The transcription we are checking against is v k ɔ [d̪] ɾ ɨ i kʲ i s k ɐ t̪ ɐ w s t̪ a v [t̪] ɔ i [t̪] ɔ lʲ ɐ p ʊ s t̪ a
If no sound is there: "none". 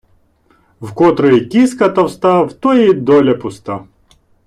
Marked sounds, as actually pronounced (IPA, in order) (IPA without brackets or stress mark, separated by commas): t̪, t̪, d̪